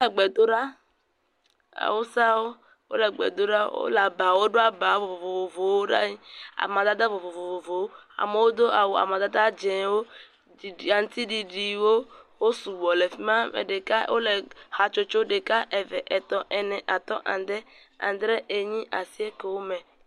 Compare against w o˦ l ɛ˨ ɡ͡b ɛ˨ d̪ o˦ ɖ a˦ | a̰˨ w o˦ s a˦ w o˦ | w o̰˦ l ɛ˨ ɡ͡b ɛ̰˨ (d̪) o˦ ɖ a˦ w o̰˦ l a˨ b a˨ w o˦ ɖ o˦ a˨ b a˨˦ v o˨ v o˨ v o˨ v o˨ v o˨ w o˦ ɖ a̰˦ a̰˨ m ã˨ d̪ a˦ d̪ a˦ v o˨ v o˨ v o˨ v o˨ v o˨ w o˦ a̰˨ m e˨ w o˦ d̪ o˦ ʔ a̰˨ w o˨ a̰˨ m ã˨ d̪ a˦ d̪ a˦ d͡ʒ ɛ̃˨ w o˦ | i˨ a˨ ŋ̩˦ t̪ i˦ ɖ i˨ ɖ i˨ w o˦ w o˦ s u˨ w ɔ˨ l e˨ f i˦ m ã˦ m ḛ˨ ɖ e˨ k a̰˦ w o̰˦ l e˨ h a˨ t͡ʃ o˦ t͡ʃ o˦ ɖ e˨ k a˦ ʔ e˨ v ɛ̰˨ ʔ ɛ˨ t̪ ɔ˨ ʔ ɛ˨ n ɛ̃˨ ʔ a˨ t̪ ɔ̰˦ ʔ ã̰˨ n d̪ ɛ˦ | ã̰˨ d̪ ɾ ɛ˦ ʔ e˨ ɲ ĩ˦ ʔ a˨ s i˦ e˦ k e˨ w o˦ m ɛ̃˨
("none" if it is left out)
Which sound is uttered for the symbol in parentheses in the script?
d̪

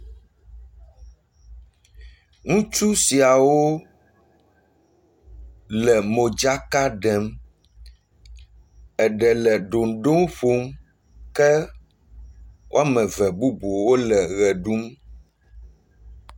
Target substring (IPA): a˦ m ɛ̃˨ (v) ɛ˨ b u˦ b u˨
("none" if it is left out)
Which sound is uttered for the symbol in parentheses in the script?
v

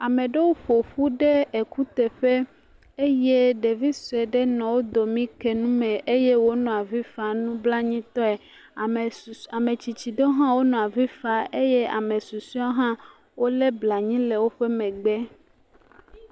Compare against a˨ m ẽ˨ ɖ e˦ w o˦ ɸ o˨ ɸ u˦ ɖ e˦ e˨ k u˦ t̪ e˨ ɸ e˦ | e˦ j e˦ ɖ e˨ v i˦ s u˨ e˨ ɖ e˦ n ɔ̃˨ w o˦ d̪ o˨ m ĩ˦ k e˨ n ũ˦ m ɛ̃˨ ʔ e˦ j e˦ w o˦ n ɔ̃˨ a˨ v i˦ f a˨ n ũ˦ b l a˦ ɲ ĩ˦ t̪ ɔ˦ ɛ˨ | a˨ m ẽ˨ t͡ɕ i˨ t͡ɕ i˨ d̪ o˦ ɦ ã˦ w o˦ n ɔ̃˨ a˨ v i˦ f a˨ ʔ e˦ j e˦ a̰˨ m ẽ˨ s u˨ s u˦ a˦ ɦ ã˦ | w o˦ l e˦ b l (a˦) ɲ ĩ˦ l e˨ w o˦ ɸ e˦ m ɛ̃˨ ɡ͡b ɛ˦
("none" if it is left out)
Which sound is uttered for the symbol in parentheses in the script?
a˨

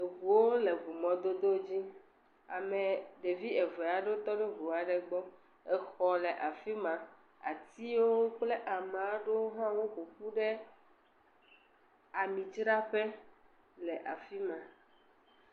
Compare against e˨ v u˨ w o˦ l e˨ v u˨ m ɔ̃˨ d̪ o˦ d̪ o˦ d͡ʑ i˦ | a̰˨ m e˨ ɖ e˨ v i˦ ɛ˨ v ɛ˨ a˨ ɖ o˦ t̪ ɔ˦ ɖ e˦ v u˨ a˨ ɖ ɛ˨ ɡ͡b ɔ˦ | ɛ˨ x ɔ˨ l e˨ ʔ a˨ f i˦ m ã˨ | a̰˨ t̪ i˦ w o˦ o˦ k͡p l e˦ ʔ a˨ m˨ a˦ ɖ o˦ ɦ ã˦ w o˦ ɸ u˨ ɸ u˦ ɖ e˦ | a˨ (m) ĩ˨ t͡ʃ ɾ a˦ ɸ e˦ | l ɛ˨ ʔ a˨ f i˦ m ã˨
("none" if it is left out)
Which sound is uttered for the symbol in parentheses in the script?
m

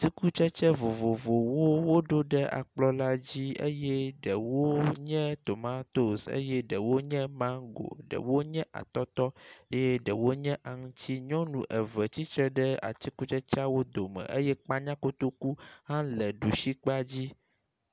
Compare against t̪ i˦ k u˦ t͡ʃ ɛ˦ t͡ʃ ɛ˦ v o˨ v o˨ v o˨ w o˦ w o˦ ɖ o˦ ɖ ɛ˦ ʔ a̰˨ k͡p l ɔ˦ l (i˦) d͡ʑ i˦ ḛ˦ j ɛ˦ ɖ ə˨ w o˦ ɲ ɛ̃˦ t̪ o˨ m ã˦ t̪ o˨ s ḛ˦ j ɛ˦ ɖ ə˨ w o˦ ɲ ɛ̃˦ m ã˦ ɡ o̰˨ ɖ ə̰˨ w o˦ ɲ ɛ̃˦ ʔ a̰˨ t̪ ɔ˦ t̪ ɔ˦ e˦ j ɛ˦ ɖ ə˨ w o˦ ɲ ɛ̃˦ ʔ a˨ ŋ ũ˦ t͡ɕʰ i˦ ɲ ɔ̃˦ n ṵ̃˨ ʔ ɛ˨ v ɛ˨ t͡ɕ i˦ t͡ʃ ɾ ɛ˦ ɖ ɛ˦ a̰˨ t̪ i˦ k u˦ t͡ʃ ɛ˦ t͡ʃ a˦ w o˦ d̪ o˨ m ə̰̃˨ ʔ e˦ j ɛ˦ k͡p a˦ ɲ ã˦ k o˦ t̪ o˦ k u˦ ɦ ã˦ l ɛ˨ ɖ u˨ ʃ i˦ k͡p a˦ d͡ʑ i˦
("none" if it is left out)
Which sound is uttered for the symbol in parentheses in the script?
a˦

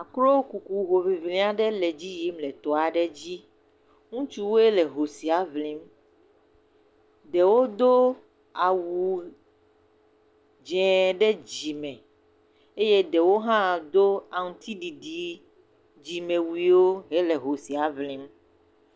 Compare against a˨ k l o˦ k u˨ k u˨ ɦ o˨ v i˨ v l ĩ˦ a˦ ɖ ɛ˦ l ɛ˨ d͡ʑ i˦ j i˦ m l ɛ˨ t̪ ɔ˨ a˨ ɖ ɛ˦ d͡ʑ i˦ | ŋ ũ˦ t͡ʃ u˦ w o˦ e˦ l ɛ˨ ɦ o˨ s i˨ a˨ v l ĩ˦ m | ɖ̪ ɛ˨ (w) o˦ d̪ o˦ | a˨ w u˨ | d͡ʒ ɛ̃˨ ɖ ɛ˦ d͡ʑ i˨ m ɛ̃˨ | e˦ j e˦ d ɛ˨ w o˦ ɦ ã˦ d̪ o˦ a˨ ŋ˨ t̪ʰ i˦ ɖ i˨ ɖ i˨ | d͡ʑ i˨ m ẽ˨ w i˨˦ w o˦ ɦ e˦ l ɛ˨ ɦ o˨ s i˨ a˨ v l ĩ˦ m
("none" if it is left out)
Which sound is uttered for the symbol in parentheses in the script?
w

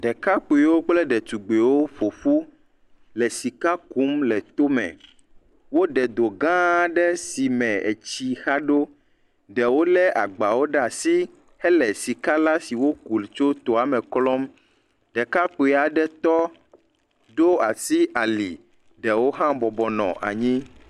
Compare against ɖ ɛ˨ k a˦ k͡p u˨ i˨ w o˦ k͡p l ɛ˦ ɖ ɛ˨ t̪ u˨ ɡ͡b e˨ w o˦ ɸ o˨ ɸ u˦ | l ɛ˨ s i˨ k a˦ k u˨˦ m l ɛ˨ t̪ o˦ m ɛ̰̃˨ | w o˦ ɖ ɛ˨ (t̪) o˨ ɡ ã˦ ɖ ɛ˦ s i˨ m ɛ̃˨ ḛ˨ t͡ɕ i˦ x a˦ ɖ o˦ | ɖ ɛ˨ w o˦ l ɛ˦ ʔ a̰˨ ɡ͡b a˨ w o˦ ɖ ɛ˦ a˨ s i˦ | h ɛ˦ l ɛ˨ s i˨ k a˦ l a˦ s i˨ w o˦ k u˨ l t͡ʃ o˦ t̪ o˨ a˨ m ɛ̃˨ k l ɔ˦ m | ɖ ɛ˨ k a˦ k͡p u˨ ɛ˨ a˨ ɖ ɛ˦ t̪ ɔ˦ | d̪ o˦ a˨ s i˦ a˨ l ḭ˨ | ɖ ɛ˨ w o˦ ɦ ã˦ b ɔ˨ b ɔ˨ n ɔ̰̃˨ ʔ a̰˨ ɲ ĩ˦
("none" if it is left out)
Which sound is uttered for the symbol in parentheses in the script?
d̪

